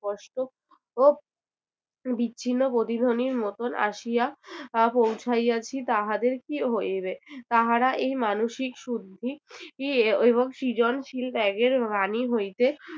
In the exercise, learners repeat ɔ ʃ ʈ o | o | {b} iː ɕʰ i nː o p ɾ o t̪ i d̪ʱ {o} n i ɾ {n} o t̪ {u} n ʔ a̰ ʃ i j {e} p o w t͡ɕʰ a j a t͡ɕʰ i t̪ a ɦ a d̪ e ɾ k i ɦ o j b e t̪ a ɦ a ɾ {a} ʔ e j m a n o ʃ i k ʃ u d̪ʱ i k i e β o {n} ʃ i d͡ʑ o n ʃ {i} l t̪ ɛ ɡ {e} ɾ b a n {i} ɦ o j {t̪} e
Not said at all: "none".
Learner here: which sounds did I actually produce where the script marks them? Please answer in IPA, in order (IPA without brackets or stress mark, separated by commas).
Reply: b, o, m, o, a, a, ŋ, i, e, i, t̪